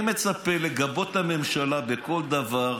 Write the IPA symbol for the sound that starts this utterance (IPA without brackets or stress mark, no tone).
m